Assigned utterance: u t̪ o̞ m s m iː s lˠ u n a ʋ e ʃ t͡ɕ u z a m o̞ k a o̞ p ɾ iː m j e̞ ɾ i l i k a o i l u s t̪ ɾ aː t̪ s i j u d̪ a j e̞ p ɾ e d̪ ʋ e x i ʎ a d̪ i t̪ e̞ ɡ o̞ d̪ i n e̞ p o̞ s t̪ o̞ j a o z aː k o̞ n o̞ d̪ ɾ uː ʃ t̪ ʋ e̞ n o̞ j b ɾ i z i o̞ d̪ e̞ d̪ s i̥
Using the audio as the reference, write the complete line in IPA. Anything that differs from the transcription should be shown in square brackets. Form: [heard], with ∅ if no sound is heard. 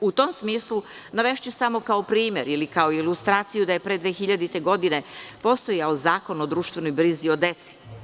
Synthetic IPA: u t̪ o̞ m s m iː s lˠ u n a ʋ e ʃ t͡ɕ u [s] a m o̞ k a o̞ p ɾ iː m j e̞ ɾ i l i k a o i l u s t̪ ɾ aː t̪ s i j u d̪ a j e̞ p ɾ e d̪ ʋ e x i ʎ a d̪ i t̪ e̞ ɡ o̞ d̪ i n e̞ p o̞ s t̪ o̞ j a o z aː k o̞ n o̞ d̪ ɾ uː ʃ t̪ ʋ e̞ n o̞ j b ɾ i z i o̞ d̪ e̞ [t̪] s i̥